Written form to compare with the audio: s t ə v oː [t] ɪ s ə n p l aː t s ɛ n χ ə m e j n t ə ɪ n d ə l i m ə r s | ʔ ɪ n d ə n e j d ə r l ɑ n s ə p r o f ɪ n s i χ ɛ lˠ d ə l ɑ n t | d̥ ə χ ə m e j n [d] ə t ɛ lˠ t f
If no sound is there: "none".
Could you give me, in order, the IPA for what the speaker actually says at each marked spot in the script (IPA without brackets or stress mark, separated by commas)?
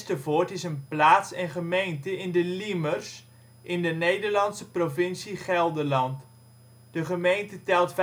t, t